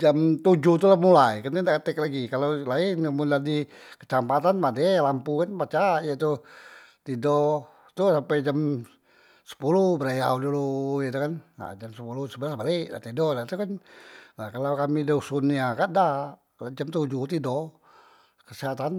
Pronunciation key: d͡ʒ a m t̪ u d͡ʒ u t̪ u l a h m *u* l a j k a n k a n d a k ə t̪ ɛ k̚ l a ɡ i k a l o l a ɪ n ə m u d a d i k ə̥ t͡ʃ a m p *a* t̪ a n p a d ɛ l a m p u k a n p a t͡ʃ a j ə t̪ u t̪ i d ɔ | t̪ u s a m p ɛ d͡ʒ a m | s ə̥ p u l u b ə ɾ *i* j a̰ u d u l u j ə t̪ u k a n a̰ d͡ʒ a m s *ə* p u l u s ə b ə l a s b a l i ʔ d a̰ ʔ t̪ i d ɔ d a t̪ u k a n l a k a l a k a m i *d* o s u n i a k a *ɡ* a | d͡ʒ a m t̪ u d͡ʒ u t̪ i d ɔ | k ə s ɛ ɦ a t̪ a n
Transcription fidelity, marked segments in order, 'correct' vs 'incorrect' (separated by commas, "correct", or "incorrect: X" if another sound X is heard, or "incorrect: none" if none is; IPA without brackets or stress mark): correct, correct, incorrect: a, correct, correct, incorrect: d